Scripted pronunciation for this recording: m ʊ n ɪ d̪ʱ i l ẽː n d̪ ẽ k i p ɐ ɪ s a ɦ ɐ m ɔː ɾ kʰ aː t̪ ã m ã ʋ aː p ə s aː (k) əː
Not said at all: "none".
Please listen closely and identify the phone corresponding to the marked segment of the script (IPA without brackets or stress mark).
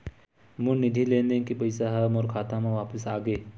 ɡ